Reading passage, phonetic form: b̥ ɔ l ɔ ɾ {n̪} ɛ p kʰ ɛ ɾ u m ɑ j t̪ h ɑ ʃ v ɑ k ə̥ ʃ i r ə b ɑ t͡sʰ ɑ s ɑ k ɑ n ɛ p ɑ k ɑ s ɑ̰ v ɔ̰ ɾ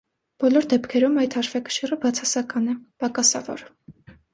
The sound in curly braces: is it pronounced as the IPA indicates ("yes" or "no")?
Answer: no